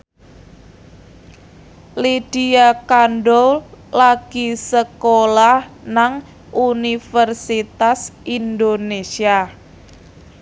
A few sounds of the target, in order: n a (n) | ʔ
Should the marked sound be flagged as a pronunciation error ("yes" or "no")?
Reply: yes